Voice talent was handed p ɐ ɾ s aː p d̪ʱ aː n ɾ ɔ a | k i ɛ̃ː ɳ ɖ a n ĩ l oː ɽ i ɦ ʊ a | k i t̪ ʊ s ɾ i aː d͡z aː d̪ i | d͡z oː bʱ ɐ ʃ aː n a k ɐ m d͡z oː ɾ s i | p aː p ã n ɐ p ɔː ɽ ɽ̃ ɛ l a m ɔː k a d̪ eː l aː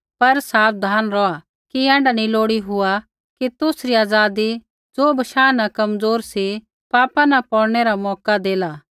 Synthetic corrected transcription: p ɐ ɾ s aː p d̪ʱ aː n ɾ ɔ a | k i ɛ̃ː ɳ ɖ a n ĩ l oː ɽ i ɦ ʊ a | k i t̪ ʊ s ɾ i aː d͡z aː d̪ i | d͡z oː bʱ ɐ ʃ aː n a k ɐ m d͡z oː ɾ s i | p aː p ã n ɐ p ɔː ɽ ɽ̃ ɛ ɾ a m ɔː k a d̪ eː l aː

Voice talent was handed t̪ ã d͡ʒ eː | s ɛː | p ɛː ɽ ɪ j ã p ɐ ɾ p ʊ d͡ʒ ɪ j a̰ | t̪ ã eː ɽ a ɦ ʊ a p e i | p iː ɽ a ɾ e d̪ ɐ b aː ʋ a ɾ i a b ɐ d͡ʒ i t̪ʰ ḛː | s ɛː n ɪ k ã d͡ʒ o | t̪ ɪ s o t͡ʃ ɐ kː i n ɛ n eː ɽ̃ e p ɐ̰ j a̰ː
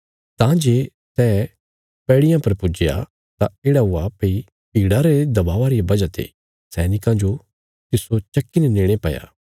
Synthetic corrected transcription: t̪ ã d͡ʒ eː | s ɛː | p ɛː ɽ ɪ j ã p ɐ ɾ p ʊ d͡ʒ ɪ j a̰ | t̪ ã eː ɽ a ɦ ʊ a p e i | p iː ɽ a ɾ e d̪ ɐ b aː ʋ a ɾ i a b ɐ d͡ʒ a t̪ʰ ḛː | s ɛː n ɪ k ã d͡ʒ o | t̪ ɪ s o t͡ʃ ɐ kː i n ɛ n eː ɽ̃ e p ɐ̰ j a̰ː

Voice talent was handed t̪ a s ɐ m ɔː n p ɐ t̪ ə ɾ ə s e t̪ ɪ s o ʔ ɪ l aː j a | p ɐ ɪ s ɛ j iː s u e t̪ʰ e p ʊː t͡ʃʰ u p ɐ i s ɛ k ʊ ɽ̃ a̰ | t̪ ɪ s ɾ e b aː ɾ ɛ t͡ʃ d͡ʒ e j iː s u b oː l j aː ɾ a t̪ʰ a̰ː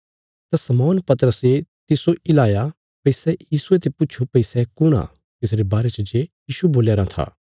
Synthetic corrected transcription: t̪ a s ɐ m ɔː n p ɐ t̪ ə ɾ ə s e t̪ ɪ s o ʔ ɪ l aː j a | p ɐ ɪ s ɛ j iː s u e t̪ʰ e p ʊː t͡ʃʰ u p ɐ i s ɛ k ʊ ɽ̃ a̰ | t̪ ɪ s ɾ e b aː ɾ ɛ t͡ʃ d͡ʒ e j iː ʃ u b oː l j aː ɾ a t̪ʰ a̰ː

